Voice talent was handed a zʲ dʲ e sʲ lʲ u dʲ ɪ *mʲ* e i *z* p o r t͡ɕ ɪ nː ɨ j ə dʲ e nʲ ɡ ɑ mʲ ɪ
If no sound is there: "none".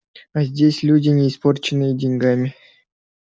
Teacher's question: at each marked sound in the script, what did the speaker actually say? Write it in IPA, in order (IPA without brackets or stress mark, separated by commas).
nʲ, s